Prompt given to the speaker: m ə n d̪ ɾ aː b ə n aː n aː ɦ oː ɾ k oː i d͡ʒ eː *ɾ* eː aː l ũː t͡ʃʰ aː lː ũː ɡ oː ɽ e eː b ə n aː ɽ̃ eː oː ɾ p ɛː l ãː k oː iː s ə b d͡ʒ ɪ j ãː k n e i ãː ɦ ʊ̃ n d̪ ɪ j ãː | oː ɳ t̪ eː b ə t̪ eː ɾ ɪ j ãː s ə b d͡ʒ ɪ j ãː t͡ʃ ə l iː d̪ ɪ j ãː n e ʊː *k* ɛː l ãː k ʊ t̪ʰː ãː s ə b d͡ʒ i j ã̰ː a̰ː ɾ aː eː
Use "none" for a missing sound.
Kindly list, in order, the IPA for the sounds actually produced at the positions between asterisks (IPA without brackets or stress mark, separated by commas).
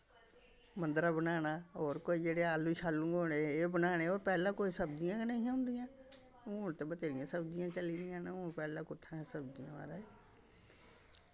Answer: ɽ, p